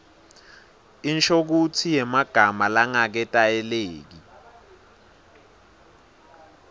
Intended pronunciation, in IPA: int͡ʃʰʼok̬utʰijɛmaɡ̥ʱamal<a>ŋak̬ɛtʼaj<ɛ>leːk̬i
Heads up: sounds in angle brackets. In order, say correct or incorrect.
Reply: correct, correct

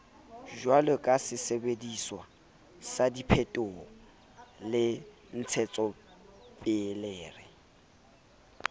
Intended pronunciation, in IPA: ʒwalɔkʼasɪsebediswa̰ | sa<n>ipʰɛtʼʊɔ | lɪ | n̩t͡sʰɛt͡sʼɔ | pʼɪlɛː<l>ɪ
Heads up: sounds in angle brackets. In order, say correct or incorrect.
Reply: incorrect, incorrect

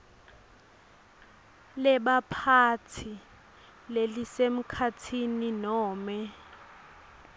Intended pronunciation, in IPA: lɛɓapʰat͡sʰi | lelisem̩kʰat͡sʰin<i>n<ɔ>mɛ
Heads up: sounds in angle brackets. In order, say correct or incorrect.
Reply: correct, incorrect

